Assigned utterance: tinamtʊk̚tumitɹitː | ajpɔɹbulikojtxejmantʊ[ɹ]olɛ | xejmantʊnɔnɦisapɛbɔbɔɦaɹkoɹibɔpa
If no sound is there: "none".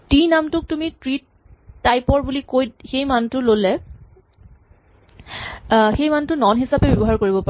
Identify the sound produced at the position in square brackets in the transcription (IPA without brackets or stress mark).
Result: l